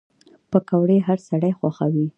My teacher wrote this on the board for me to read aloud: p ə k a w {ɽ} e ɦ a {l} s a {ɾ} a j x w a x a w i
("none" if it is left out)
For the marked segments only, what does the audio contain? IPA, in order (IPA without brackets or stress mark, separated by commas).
ɽ, ɾ, ɽ